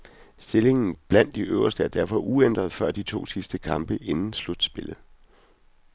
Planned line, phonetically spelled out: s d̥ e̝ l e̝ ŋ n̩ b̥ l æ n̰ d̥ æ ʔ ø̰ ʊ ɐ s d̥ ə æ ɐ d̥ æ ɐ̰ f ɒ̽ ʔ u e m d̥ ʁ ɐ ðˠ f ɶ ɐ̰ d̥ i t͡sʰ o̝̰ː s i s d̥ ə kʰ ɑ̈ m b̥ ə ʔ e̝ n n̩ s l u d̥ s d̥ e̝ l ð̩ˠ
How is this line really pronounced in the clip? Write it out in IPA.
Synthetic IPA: s d̥ e̝ l e̝ ŋ n̩ b̥ l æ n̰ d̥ i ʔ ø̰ ʊ ɐ s d̥ ə æ ɐ d̥ æ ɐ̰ f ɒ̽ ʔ u e n d̥ ʁ ɐ ðˠ f ɶ ɐ̰ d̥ i t͡sʰ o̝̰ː s i s d̥ ə kʰ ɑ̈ m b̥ ə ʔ e̝ n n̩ s l u d̥ s b̥ e̝ l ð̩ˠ